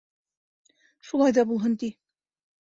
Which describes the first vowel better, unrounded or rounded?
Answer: rounded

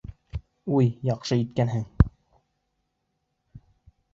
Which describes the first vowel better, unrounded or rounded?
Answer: rounded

